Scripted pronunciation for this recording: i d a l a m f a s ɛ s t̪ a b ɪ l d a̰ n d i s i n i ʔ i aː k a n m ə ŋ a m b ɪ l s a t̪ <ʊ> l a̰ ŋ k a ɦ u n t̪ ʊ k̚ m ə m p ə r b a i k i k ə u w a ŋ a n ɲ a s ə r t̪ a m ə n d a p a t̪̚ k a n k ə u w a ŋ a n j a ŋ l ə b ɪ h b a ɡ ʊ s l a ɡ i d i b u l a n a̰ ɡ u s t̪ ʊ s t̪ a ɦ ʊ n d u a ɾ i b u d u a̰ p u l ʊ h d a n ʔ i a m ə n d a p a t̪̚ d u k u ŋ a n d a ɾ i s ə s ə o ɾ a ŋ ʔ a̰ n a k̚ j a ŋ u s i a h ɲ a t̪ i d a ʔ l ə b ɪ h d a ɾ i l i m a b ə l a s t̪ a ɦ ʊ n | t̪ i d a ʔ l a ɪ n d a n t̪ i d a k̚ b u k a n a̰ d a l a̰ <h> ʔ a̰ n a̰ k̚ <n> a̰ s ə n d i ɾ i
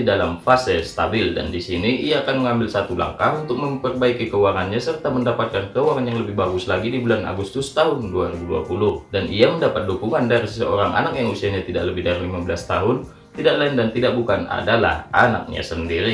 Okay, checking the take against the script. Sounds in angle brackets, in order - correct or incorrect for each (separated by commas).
incorrect, correct, incorrect